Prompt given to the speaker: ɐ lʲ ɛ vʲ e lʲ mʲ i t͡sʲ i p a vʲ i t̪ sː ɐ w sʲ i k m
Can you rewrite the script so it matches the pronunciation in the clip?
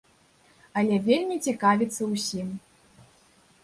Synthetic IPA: ɐ lʲ ɛ vʲ e lʲ mʲ i t͡sʲ i k a vʲ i t̪ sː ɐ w sʲ i m